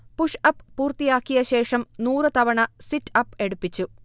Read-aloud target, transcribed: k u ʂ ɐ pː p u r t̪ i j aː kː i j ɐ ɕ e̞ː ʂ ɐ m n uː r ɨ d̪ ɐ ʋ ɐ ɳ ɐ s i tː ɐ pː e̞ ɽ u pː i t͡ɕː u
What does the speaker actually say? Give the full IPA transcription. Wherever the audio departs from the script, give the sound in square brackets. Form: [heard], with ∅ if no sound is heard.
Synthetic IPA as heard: [p] u ʂ ɐ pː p [uː] r t̪ i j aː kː i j ɐ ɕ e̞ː ʂ ɐ m n uː r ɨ [t̪] ɐ ʋ ɐ ɳ ɐ s i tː ɐ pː e̞ ɽ u pː i t͡ɕː u

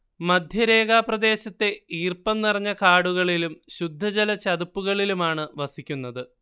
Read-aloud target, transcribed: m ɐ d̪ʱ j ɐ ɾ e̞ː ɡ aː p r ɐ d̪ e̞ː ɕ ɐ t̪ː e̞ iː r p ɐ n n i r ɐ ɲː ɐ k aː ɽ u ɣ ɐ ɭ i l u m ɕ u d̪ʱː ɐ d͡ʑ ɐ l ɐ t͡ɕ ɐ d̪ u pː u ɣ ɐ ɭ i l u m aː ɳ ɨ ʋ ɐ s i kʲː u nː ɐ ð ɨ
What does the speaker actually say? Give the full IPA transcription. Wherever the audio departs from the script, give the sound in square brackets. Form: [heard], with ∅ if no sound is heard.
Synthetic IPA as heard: m ɐ d̪ʱ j ɐ ɾ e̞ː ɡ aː p r ɐ d̪ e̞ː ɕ ɐ t̪ː e̞ iː r p ɐ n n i r ɐ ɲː ɐ k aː ɽ u ɣ ɐ ɭ i l u m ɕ u d̪ʱː ɐ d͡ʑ ɐ l ɐ t͡ɕ ɐ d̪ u pː u ɣ ɐ ɭ i l u m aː ɳ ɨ ʋ ɐ s i kʲː u nː ɐ ð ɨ

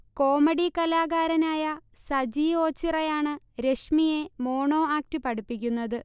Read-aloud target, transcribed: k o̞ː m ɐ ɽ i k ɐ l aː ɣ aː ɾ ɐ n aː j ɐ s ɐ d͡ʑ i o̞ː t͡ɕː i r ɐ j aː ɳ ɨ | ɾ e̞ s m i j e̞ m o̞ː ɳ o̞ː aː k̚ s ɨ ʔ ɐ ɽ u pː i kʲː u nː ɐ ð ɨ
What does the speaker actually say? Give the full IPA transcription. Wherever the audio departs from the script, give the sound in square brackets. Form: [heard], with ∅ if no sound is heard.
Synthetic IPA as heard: k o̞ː m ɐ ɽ i k ɐ l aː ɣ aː ɾ ɐ n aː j ɐ s ɐ d͡ʑ i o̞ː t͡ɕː i r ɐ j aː ɳ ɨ | ɾ e̞ [ʂ] m i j e̞ m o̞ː ɳ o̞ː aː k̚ [t] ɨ [p] ɐ ɽ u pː i kʲː u nː ɐ ð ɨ

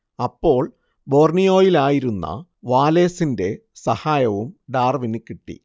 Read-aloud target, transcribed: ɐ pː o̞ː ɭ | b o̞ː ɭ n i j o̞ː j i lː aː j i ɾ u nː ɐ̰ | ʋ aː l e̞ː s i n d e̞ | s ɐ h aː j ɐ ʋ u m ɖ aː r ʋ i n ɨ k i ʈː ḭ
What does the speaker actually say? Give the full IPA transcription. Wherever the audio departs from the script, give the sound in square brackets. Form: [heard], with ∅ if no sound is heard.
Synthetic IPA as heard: ɐ pː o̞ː ɭ | b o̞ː [r] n i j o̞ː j i [l] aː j i ɾ u nː ɐ̰ | ʋ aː l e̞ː s i n d e̞ | s ɐ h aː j ɐ ʋ u m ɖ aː r ʋ i n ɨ k i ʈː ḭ

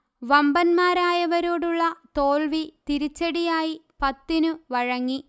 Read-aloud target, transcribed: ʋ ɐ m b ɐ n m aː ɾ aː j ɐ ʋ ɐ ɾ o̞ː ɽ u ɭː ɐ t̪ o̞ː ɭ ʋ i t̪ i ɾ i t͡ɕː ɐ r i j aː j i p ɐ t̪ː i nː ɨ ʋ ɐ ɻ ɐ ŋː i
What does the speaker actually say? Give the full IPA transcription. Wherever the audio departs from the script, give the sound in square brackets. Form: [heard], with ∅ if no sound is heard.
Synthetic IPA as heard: ʋ ɐ m b ɐ n m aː ɾ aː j ɐ ʋ ɐ ɾ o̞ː ɽ u ɭː ɐ t̪ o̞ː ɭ ʋ i t̪ i ɾ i t͡ɕː ɐ [ɽ] i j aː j i p ɐ t̪ː i [n] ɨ ʋ ɐ ɻ ɐ ŋː i

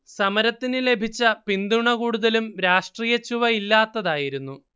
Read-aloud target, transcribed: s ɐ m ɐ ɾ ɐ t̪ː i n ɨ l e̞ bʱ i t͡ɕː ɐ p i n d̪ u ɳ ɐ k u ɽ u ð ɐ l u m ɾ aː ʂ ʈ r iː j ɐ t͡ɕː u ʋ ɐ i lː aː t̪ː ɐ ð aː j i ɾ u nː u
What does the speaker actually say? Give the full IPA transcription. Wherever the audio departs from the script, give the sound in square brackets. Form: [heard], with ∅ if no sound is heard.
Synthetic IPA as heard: s ɐ m ɐ ɾ ɐ t̪ː i n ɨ l e̞ bʱ i t͡ɕː ɐ p i n d̪ u ɳ ɐ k [uː] ɽ u ð ɐ l u m ɾ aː ʂ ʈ r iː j ɐ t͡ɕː u ʋ ɐ i lː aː t̪ː ɐ ð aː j i ɾ u nː u

